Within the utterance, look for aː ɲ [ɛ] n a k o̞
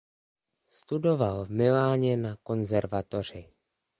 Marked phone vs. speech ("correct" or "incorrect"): correct